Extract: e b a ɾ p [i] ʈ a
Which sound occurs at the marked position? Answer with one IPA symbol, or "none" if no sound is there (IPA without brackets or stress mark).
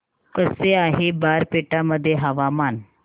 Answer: e